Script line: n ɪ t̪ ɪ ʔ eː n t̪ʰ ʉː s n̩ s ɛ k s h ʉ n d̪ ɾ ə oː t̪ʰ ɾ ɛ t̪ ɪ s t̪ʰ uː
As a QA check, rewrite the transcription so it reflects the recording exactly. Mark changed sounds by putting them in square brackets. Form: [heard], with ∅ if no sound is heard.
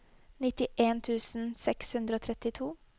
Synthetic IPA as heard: n ɪ t̪ ɪ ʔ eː n t̪ʰ ʉː s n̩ s ɛ k s h ʉ n d̪ ɾ ə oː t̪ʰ ɾ ɛ t̪ ɪ [∅] t̪ʰ uː